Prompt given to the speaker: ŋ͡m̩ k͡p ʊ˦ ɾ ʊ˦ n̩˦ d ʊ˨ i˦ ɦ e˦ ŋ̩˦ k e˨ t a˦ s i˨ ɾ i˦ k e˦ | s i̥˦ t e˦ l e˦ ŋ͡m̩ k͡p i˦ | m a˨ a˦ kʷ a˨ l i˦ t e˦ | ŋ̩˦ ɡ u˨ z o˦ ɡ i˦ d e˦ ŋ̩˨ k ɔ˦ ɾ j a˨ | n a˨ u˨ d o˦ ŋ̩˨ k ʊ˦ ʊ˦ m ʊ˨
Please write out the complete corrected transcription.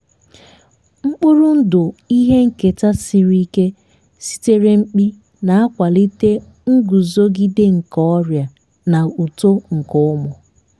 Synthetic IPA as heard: ŋ͡m̩ k͡p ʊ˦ ɾ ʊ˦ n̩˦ d ʊ˨ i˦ ɦ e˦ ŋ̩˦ k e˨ t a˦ s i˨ ɾ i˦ k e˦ | s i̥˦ t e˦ ɾ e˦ ŋ͡m̩ k͡p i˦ | n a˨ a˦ kʷ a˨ l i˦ t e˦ | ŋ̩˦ ɡ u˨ z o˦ ɡ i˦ d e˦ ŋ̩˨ k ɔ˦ ɾ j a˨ | n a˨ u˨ t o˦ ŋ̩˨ k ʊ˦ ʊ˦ m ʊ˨